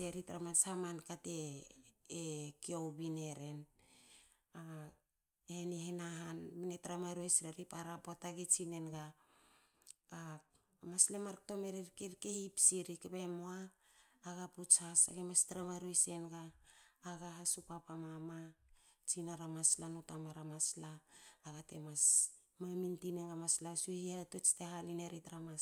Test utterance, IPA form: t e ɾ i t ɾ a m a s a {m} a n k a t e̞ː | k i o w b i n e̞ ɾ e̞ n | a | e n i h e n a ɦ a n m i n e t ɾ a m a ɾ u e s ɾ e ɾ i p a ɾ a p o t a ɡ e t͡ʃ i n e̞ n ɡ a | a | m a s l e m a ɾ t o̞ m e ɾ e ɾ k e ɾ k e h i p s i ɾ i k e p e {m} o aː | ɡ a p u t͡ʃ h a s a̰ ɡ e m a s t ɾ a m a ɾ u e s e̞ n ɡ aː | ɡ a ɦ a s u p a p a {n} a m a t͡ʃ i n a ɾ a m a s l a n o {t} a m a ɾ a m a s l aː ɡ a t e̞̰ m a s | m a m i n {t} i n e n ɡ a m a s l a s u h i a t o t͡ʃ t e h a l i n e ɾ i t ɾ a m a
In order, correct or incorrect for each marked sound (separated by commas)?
correct, correct, incorrect, correct, correct